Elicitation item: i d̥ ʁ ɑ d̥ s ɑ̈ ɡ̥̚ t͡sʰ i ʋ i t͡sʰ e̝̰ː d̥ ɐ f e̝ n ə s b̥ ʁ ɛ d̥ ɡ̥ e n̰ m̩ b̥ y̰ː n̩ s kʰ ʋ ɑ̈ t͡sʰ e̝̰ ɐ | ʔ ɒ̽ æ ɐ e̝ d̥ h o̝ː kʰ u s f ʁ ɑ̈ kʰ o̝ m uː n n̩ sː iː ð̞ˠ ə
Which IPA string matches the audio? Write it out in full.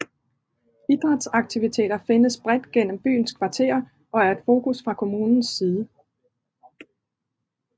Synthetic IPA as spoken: i d̥ ʁ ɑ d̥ s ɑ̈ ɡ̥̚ t͡sʰ i ʋ i t͡sʰ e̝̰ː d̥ ɐ f e̝ n ə s b̥ ʁ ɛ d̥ ɡ̥ e n̰ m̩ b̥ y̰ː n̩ s kʰ ʋ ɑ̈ t͡sʰ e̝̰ ɐ | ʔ ɒ̽ æ ɐ e̝ d̥ f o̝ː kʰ u s f ʁ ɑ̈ kʰ o̝ m uː n n̩ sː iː ð̞ˠ ə